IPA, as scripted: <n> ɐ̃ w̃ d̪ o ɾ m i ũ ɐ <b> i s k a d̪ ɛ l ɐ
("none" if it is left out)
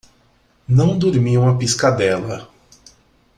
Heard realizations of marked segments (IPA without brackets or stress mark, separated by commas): n, p